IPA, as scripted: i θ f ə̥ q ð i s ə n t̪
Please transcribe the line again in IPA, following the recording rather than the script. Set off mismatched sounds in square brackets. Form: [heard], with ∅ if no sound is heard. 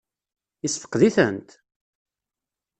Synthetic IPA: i [s] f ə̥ q ð i [θ] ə n t̪

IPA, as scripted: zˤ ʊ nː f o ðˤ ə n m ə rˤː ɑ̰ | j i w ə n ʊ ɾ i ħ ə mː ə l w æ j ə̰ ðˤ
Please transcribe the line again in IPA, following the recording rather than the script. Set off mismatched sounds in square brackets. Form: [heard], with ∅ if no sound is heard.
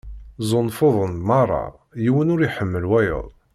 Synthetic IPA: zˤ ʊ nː f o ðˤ ə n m [ɑ] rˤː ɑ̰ | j i w ə n ʊ ɾ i ħ ə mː ə l w æ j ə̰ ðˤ

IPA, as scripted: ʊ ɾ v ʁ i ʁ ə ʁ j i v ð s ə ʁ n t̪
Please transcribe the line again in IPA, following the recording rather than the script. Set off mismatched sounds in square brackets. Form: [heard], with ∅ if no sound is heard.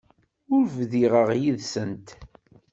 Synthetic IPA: ʊ ɾ v [ð] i ʁ ə ʁ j i [∅] ð s ə [∅] n t̪

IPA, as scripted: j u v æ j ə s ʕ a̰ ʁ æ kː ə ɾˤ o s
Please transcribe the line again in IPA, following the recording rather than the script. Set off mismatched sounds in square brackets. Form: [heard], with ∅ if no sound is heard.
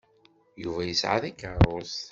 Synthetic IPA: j u v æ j ə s ʕ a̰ [ð] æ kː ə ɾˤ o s

